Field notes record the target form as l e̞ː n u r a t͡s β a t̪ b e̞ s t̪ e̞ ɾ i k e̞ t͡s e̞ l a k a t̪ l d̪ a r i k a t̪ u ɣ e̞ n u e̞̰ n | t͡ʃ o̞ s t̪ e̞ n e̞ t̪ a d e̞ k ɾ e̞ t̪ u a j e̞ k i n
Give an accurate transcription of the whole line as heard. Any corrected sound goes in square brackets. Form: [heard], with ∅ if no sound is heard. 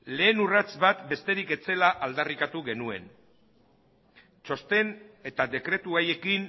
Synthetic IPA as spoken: l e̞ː n u r a t͡s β a t̪ b e̞ s t̪ e̞ ɾ i k e̞ t͡s e̞ l a [ʔ] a [∅] l d̪ a r i k a t̪ u ɣ e̞ n u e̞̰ n | t͡ʃ o̞ s t̪ e̞ n e̞ t̪ a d e̞ k ɾ e̞ t̪ u a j e̞ k i n